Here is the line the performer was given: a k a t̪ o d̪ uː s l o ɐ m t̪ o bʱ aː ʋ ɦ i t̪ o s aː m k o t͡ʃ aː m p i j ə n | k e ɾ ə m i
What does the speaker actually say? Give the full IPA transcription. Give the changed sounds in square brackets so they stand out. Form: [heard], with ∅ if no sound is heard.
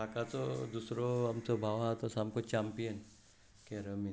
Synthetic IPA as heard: a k a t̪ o d̪ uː s [ɾ] o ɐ m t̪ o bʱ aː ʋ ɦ [a] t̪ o s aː m k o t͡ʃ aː m p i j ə n | k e ɾ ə m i